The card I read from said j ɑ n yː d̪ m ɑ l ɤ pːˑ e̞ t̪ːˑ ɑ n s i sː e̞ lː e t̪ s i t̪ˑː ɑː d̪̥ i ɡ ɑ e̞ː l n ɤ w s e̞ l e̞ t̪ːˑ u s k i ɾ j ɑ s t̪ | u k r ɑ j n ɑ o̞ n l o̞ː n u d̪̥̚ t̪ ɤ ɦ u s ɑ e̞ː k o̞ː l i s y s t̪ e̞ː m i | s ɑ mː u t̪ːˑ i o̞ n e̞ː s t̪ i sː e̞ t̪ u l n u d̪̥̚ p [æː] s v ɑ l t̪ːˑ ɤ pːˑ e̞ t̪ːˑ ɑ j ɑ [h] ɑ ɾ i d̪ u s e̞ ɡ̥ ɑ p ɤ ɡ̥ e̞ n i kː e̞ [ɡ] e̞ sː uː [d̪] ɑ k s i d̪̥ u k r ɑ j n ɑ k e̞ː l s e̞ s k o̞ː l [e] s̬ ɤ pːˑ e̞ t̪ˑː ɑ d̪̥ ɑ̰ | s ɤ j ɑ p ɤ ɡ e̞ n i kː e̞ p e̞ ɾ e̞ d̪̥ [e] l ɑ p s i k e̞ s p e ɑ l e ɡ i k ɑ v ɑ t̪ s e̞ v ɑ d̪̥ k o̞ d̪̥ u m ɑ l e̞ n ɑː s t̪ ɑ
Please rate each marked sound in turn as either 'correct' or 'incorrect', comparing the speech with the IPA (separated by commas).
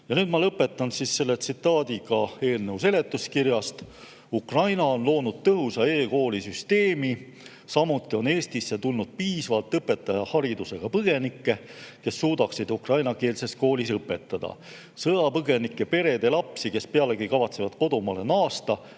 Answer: incorrect, correct, incorrect, correct, incorrect, correct